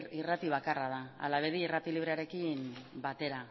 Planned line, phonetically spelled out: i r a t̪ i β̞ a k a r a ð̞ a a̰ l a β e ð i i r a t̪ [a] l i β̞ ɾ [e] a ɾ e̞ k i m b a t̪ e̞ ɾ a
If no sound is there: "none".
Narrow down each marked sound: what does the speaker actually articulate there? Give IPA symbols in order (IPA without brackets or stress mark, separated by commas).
i, e